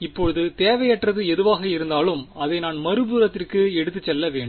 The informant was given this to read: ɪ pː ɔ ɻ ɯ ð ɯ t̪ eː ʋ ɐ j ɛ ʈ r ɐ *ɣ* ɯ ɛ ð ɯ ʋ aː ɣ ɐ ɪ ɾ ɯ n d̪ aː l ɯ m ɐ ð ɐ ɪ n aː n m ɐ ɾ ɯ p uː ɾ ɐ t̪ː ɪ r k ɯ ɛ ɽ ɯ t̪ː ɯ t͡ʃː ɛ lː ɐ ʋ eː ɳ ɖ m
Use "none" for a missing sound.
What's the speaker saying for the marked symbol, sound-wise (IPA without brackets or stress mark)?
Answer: ð